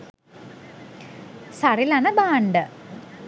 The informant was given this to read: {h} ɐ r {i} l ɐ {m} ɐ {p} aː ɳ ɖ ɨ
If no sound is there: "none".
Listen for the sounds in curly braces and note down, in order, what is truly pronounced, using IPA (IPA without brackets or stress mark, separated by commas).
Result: s, i, n, b